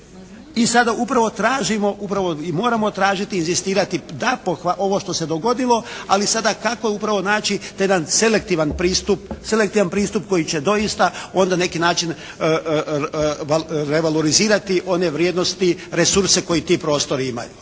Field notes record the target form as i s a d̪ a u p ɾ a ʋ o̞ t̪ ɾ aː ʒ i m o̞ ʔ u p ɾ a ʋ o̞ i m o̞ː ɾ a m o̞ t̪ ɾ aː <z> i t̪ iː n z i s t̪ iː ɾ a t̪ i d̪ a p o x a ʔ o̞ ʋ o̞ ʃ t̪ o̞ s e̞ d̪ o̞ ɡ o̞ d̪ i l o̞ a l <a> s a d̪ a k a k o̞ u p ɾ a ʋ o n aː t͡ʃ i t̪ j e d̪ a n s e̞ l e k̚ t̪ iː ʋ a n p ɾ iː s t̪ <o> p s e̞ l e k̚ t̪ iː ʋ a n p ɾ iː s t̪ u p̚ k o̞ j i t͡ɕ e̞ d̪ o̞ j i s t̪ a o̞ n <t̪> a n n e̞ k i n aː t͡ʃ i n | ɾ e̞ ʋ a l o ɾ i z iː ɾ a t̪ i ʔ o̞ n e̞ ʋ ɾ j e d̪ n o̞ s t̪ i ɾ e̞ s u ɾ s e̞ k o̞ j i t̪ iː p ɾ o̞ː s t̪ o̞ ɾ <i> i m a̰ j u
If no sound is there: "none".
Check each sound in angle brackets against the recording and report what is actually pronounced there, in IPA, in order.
ʒ, i, u, d̪, i

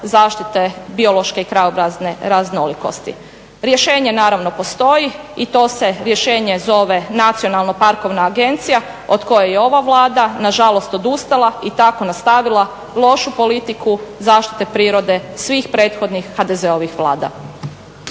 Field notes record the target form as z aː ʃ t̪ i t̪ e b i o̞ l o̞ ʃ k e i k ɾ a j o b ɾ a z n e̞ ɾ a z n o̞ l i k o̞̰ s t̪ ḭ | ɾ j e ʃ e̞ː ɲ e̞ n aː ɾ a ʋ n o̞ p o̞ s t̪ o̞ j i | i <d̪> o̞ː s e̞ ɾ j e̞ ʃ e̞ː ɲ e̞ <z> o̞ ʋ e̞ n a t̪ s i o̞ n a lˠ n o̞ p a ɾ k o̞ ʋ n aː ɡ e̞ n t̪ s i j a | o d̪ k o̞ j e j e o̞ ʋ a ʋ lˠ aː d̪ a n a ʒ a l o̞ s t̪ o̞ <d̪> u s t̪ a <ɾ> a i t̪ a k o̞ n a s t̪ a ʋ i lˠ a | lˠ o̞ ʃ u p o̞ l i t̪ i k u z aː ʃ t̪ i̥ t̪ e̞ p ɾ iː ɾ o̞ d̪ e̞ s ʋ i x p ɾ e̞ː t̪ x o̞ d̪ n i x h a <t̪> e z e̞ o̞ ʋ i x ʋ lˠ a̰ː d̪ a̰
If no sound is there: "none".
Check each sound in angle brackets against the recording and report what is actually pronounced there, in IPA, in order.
t̪, z, d̪, l, d̪

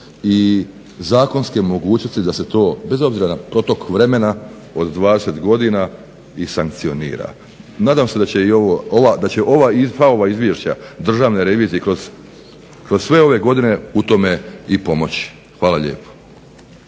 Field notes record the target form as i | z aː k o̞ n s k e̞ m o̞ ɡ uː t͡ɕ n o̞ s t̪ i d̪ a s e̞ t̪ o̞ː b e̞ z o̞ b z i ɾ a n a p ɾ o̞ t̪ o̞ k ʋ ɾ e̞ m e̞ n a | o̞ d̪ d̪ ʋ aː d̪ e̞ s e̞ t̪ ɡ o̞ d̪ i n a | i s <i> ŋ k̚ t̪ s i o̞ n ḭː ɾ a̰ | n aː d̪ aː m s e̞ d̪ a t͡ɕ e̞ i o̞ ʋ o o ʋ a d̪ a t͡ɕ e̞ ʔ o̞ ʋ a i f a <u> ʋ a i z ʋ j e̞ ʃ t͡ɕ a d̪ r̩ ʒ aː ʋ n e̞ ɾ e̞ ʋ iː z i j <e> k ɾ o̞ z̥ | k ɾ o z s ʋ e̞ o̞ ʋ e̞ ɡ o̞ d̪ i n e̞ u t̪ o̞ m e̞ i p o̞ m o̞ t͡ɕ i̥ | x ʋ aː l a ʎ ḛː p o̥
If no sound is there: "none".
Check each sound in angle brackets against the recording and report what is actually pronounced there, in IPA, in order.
a, o, e

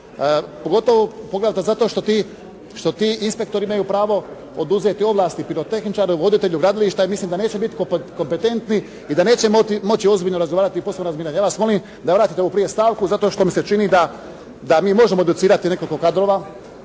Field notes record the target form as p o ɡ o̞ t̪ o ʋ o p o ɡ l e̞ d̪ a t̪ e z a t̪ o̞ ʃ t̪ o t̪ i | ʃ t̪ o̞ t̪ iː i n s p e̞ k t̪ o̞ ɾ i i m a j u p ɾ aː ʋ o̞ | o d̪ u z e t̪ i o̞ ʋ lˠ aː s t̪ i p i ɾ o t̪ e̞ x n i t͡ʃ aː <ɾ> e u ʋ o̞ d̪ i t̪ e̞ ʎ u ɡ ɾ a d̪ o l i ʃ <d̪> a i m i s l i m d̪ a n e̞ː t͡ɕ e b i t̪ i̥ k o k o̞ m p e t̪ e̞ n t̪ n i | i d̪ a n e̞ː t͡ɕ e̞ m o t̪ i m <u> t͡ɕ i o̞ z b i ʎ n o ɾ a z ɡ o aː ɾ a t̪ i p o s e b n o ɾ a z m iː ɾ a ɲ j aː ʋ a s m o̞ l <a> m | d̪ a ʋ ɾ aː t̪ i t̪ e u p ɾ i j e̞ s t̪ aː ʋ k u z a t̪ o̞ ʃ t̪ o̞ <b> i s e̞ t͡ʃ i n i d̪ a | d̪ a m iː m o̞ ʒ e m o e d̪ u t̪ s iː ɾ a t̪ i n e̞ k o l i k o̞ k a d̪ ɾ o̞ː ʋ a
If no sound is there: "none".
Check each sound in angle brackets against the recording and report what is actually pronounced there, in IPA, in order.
ɾ, t̪, o, i, m

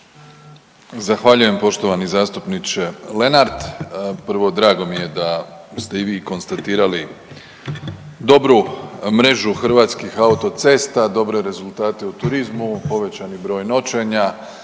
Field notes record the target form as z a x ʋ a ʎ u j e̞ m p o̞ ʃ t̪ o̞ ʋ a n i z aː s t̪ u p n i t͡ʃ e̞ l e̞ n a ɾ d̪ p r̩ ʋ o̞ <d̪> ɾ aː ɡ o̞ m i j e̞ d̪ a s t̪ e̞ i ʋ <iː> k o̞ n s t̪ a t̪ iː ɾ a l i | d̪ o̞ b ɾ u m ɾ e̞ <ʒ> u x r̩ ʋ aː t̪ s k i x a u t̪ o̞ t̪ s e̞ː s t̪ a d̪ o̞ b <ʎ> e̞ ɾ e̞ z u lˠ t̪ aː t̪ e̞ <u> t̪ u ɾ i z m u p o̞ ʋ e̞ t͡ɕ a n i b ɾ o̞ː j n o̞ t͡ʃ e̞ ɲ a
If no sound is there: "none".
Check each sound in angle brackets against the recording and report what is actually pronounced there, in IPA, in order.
d̪, iː, ʒ, ɾ, u

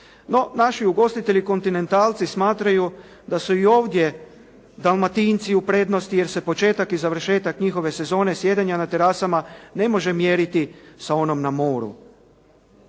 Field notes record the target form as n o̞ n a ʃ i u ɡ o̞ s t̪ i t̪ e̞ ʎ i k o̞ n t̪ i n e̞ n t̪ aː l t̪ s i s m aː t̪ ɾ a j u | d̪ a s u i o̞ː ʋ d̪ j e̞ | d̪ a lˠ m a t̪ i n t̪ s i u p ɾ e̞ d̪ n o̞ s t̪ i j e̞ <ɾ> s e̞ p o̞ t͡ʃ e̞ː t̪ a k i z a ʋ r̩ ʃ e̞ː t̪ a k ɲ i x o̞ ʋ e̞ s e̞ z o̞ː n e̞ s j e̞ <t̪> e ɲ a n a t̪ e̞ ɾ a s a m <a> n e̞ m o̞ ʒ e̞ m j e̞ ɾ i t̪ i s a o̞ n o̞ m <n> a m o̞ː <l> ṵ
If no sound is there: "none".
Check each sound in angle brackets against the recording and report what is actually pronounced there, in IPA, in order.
ɾ, d̪, a, n, ɾ

